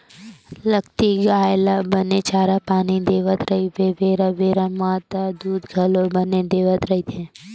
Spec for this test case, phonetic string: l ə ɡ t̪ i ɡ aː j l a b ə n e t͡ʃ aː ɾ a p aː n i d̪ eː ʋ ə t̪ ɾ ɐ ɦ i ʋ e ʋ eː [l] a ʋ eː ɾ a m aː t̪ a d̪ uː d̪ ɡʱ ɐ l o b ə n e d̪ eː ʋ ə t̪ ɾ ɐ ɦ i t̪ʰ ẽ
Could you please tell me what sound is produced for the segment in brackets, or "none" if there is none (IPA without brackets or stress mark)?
ɾ